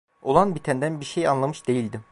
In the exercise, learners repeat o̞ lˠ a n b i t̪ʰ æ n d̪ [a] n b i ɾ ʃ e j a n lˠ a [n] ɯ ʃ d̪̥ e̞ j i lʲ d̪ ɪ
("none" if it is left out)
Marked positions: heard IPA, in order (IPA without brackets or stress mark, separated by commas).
æ, m